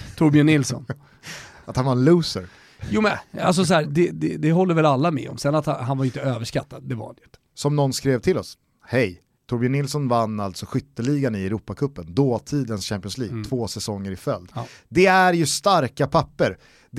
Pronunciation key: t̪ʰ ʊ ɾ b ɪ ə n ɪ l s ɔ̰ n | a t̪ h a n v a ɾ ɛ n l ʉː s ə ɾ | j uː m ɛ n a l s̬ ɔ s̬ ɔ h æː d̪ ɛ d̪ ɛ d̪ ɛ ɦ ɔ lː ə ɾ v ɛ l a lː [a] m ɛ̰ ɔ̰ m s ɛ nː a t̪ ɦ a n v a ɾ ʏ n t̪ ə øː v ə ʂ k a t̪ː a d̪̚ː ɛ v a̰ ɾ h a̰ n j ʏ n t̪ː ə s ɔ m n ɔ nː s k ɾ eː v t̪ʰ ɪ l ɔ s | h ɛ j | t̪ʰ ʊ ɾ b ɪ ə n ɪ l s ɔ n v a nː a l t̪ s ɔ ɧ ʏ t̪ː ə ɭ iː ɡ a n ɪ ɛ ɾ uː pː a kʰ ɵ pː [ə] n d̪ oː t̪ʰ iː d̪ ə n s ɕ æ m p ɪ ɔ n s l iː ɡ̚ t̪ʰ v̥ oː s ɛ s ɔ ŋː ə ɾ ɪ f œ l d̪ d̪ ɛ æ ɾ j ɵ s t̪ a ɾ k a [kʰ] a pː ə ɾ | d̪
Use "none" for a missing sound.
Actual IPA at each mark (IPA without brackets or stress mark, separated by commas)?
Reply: a, ə, pʰ